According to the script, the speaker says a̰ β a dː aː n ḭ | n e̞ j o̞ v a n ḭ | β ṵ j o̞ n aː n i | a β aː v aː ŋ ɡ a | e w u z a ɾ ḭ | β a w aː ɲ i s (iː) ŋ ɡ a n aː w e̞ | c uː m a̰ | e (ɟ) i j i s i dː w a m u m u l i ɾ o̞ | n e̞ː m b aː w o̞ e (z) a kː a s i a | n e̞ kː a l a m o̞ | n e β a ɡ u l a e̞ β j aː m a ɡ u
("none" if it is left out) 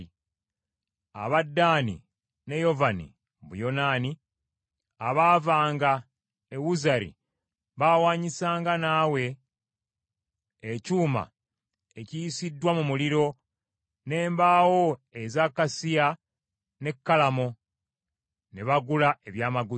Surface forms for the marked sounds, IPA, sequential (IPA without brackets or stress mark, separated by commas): aː, c, z